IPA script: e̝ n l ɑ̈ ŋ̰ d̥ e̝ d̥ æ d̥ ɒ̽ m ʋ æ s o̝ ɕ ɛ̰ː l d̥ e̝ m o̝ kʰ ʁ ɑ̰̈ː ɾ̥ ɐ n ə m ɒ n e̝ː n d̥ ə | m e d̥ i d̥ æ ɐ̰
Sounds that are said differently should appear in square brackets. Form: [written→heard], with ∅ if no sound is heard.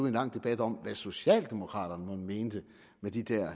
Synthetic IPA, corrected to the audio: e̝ n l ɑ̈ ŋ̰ d̥ e̝ [d̥→b̥] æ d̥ ɒ̽ m ʋ æ s o̝ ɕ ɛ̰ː l d̥ e̝ m o̝ kʰ ʁ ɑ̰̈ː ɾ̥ ɐ n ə m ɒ [n→m] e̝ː n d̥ ə | m e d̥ i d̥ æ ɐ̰